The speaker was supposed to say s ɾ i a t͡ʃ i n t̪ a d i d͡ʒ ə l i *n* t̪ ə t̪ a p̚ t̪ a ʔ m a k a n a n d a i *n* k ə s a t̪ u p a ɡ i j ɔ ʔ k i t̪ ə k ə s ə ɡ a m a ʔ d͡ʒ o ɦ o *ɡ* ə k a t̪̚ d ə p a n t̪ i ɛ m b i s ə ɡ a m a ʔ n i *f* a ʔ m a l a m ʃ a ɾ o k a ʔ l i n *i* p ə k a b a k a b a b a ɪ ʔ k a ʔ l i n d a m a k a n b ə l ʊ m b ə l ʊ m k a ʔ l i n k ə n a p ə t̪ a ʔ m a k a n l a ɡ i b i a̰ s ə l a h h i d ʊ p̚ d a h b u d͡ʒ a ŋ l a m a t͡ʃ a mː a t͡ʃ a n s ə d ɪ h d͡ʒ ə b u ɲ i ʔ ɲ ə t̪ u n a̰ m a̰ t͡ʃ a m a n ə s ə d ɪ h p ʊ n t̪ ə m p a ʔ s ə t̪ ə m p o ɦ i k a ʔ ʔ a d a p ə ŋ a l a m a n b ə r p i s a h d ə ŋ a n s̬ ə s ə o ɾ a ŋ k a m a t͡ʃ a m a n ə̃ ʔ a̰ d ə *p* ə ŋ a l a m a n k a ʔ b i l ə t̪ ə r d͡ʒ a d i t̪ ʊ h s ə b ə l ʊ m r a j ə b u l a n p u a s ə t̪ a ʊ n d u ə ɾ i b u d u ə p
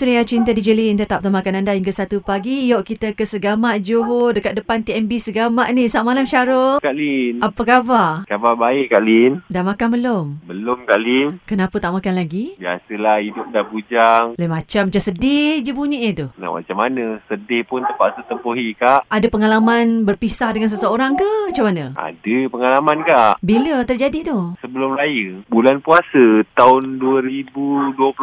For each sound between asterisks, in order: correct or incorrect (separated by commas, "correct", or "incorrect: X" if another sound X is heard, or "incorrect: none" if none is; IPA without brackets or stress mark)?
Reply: correct, incorrect: ŋ, incorrect: d, incorrect: s, incorrect: a, correct